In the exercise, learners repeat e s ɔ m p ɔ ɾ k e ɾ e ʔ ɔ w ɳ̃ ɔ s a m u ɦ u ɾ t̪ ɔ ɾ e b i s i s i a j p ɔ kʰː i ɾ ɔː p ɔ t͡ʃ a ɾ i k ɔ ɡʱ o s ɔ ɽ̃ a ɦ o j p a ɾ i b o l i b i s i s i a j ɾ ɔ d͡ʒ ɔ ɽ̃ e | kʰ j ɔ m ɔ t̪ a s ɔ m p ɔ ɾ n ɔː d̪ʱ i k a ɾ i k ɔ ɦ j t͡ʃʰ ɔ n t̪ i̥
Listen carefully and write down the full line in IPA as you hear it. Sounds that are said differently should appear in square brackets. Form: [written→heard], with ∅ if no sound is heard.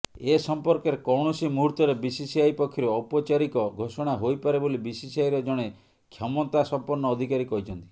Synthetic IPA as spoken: e s ɔ m p ɔ ɾ k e ɾ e [ʔ→k] ɔ w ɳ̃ ɔ s [a→i] m u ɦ u ɾ t̪ ɔ ɾ e b i s i s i a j p ɔ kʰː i ɾ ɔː p ɔ t͡ʃ a ɾ i k ɔ ɡʱ o s ɔ ɽ̃ a ɦ o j p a ɾ [i→e] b o l i b i s i s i a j ɾ ɔ d͡ʒ ɔ ɽ̃ e | kʰ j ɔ m ɔ t̪ a s ɔ m p ɔ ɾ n ɔː d̪ʱ i k a ɾ i k ɔ ɦ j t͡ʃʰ ɔ n t̪ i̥

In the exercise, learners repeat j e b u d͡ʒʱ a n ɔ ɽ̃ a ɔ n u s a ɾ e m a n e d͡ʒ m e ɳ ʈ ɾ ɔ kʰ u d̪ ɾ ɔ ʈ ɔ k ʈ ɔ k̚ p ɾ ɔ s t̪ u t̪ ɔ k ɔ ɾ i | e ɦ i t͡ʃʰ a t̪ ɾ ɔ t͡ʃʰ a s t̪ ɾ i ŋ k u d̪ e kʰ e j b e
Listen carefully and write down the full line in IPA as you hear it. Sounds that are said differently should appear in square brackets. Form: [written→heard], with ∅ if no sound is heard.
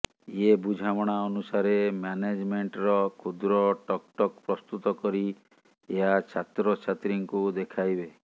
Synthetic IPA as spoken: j e b u d͡ʒʱ a [n→m] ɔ ɽ̃ a ɔ n u s a ɾ e m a n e d͡ʒ m e ɳ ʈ ɾ ɔ kʰ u d̪ ɾ ɔ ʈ ɔ k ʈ ɔ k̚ p ɾ ɔ s t̪ u t̪ ɔ k ɔ ɾ i | e ɦ [i→a] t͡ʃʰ a t̪ ɾ ɔ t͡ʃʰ a [s→∅] t̪ ɾ i ŋ k u d̪ e kʰ [e→a] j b e

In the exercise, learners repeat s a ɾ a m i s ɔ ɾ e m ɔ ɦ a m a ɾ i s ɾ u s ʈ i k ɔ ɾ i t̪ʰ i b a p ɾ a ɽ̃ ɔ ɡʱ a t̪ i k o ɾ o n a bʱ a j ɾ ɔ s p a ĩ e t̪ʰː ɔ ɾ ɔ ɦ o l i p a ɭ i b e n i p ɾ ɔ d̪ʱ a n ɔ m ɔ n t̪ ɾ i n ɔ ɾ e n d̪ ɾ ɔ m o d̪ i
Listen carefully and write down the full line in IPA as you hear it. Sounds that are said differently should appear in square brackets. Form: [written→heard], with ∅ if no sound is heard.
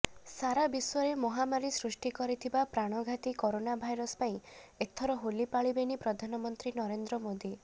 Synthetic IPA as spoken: s a ɾ a [m→b] i s ɔ ɾ e m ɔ ɦ a m a ɾ i s ɾ u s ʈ i k ɔ ɾ i t̪ʰ i b a p ɾ a ɽ̃ ɔ ɡʱ a t̪ i k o ɾ o n a bʱ a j ɾ ɔ s p a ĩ e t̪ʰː ɔ ɾ ɔ ɦ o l i p a ɭ i b e n i p ɾ ɔ d̪ʱ a n ɔ m ɔ n t̪ ɾ i n ɔ ɾ e n d̪ ɾ ɔ m o d̪ i

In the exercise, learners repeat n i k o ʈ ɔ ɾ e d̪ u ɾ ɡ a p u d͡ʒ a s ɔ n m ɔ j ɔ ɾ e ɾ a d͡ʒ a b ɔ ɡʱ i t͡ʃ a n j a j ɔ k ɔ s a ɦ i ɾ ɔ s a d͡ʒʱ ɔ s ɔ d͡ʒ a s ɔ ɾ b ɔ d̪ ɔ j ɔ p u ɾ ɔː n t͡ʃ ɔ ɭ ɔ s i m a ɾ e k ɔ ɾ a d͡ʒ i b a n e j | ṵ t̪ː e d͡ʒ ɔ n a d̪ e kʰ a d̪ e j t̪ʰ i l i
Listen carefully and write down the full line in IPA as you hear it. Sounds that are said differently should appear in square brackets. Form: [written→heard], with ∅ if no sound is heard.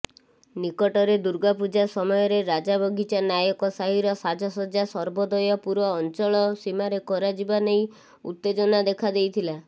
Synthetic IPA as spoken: n i k [o→ɔ] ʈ ɔ ɾ e d̪ u ɾ ɡ a p u d͡ʒ a s ɔ [n→∅] m ɔ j ɔ ɾ e ɾ a d͡ʒ a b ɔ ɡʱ i t͡ʃ a n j a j ɔ k ɔ s a ɦ i ɾ ɔ s a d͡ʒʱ ɔ s ɔ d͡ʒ a s ɔ ɾ b ɔ d̪ ɔ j ɔ p u ɾ ɔː n t͡ʃ ɔ ɭ ɔ s i m a ɾ e k ɔ ɾ a d͡ʒ i b a n e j | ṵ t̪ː e d͡ʒ ɔ n a d̪ e kʰ a d̪ e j t̪ʰ i l [i→a]

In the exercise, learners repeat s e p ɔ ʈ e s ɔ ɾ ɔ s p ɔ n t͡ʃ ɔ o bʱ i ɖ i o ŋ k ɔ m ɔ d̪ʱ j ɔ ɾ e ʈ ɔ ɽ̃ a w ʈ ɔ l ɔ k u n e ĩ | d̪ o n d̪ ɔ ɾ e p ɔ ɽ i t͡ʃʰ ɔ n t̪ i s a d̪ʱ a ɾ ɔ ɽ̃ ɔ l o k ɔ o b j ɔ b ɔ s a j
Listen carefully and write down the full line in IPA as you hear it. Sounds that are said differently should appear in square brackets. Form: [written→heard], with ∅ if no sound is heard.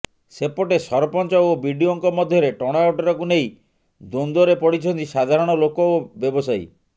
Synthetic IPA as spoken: s e p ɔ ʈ e s ɔ ɾ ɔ [s→∅] p ɔ n t͡ʃ ɔ o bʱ i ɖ i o ŋ k ɔ m ɔ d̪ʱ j ɔ ɾ e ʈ ɔ ɽ̃ a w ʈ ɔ [l→ɾ] ɔ k u n e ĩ | d̪ o n d̪ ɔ ɾ e p ɔ ɽ i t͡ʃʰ ɔ n t̪ i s a d̪ʱ a ɾ ɔ ɽ̃ ɔ l o k ɔ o b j ɔ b ɔ s a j

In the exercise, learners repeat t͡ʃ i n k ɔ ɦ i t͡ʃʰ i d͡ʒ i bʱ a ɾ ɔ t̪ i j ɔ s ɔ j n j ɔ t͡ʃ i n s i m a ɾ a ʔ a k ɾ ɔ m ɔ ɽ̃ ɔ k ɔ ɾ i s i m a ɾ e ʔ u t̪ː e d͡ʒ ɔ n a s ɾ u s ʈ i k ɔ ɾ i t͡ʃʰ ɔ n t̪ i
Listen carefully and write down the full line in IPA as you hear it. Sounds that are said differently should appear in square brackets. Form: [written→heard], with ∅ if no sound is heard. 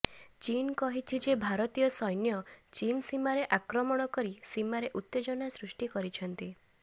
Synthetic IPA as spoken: t͡ʃ i n k ɔ ɦ i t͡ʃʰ i d͡ʒ [i→e] bʱ a ɾ ɔ t̪ i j ɔ s ɔ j n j ɔ t͡ʃ i n s i m a ɾ [a→e] ʔ a k ɾ ɔ m ɔ ɽ̃ ɔ k ɔ ɾ i s i m a ɾ e ʔ u t̪ː e d͡ʒ ɔ n a s ɾ u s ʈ i k ɔ ɾ i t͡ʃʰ ɔ n t̪ i

